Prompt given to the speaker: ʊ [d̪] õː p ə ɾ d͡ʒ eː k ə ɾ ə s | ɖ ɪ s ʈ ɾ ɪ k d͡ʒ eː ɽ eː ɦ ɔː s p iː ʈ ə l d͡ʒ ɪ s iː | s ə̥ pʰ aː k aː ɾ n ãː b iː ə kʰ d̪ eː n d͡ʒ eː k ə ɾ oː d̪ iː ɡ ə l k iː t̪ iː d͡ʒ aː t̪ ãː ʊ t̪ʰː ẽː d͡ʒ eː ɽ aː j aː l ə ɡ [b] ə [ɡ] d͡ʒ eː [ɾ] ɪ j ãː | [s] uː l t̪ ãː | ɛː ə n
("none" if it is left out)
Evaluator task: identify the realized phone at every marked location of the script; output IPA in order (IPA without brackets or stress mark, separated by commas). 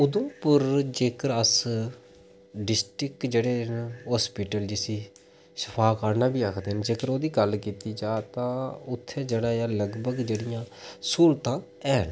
d̪, b, ɡ, ɽ, s